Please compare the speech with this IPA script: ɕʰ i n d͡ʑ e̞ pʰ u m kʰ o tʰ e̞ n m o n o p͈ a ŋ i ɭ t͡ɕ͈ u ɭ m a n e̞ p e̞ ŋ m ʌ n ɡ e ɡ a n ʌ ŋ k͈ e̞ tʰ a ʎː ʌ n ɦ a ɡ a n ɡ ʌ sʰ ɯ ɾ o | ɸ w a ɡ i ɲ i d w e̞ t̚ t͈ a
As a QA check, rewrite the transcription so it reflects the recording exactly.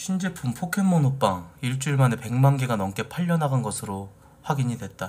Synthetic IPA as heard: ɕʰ i n d͡ʑ e̞ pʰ u m pʰ o kʰ e̞ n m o n o p͈ a ŋ i ɭ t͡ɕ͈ u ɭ m a n e̞ p e̞ ŋ m a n ɡ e ɡ a n ʌ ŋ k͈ e̞ pʰ a ʎː ʌ n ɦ a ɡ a n ɡ ʌ sʰ ɯ ɾ o | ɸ w a ɡ i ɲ i d w e̞ t̚ t͈ a